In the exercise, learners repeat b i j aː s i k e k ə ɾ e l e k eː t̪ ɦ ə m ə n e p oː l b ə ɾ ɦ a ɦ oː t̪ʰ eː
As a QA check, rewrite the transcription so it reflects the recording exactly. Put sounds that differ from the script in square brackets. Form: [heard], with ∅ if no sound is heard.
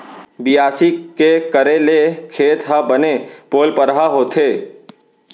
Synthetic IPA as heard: b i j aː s i k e k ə ɾ e l e [kʰ] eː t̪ ɦ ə [b] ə n e p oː l [p] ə ɾ ɦ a ɦ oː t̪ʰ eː